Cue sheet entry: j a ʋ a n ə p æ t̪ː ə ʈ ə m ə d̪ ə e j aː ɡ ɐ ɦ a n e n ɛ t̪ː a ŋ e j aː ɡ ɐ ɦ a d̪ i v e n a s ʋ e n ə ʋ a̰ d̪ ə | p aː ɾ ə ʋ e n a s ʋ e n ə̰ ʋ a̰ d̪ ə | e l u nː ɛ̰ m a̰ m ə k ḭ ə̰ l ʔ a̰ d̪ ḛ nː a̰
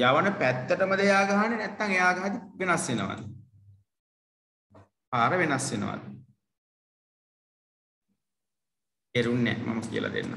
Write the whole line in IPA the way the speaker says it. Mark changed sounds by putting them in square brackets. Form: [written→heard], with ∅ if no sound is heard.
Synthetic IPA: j a ʋ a n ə p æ t̪ː ə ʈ ə m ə d̪ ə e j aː ɡ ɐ ɦ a n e n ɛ t̪ː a ŋ e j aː ɡ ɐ ɦ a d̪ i [v→ʋ] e n a s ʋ e n ə ʋ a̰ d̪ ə | p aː ɾ ə ʋ e n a s ʋ e n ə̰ ʋ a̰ d̪ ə | e [l→ɾ] u nː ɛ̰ m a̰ m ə k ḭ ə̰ l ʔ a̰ d̪ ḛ nː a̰